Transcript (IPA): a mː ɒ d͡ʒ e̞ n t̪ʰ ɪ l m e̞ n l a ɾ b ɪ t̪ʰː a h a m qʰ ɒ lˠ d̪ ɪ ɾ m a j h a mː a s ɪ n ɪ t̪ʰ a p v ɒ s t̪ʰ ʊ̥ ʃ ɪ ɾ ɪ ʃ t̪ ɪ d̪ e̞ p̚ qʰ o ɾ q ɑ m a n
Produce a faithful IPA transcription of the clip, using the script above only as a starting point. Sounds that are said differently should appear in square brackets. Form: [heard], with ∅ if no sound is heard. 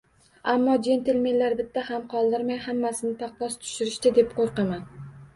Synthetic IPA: a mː ɒ d͡ʒ e̞ n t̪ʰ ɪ l m e̞ n l a ɾ b ɪ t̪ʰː a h a m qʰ ɒ lˠ d̪ ɪ ɾ m a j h a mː a s ɪ n ɪ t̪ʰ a [q] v ɒ s t̪ʰ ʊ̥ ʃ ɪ ɾ ɪ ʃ t̪ ɪ d̪ e̞ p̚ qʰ o ɾ q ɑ m a n